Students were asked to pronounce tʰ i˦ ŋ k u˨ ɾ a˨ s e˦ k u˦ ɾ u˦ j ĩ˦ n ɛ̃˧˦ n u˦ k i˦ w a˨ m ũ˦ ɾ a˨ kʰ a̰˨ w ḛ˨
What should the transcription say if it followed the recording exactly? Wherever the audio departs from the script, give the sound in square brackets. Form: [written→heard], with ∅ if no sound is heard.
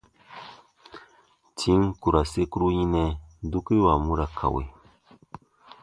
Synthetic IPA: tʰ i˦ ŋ k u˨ ɾ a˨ s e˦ k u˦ ɾ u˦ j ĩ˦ n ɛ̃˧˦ [n→d] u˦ k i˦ w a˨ m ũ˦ ɾ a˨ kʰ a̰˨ w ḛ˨